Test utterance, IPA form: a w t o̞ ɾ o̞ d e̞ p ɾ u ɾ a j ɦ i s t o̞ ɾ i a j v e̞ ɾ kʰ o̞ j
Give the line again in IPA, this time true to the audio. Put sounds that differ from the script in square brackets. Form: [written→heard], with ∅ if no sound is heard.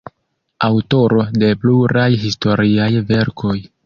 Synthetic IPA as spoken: a w t o̞ ɾ o̞ d e̞ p [ɾ→l] u ɾ a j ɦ i s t o̞ ɾ i a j v e̞ ɾ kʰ o̞ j